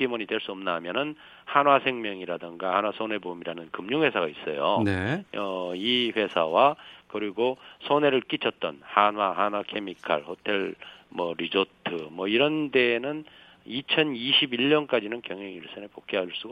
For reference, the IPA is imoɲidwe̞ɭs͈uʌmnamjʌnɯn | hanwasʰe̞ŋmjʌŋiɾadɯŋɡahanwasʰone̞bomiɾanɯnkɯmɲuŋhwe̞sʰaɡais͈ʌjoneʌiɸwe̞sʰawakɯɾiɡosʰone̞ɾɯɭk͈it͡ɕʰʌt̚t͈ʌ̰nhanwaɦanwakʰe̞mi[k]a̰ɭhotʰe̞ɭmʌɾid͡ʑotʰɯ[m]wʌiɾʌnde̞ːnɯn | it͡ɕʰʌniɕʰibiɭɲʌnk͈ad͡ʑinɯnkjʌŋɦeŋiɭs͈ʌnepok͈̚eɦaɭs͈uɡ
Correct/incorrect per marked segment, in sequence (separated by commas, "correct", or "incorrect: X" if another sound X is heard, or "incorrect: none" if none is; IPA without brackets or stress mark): incorrect: kʰ, correct